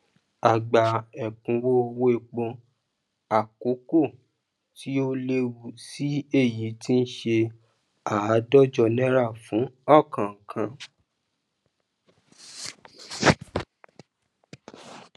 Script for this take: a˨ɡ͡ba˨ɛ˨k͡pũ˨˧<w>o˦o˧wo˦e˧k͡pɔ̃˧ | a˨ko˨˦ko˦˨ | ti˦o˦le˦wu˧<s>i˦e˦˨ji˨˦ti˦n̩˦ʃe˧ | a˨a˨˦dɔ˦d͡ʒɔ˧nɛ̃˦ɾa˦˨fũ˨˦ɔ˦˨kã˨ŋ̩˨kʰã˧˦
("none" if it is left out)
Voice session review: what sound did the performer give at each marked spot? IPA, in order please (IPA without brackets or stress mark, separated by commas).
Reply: w, s